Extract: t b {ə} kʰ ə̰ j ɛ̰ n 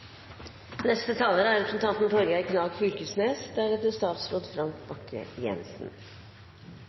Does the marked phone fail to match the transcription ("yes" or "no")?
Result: yes